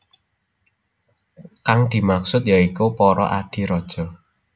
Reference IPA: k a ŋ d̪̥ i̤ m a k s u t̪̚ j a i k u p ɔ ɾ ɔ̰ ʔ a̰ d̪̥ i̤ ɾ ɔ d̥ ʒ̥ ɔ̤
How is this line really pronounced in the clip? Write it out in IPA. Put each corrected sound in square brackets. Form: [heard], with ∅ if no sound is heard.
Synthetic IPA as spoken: k a ŋ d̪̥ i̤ m a k s [ʊ] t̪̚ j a i k u p ɔ ɾ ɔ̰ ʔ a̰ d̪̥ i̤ ɾ ɔ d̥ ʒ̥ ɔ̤